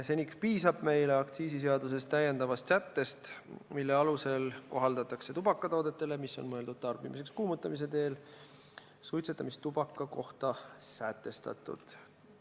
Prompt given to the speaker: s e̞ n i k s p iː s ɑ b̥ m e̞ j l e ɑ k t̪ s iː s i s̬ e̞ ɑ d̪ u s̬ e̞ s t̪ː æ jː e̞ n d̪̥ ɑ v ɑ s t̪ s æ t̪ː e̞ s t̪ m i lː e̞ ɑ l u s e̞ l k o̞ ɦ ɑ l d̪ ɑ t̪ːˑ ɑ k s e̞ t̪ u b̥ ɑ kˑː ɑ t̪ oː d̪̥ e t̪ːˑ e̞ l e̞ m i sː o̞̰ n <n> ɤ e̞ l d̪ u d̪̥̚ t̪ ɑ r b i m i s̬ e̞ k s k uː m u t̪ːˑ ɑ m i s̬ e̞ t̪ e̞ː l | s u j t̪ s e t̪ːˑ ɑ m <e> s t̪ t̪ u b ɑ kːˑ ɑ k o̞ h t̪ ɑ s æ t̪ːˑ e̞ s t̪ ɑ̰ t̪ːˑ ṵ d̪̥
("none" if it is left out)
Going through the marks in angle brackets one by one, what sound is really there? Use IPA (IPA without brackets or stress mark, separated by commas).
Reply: m, i